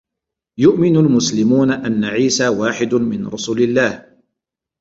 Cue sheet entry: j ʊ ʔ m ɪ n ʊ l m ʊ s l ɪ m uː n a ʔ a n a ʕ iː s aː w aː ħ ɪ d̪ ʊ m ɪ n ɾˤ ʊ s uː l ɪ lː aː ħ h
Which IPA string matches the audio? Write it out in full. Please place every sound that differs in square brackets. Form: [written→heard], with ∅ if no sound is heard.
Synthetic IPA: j ʊ ʔ m ɪ n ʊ l m ʊ s l ɪ m uː n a ʔ a [n→nː] a ʕ iː s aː w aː ħ ɪ d̪ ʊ m ɪ n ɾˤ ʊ s uː l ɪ lː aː [ħ→∅] h